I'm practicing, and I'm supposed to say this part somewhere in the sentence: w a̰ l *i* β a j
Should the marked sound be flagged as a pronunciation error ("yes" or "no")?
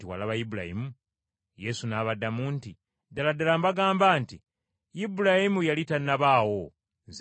yes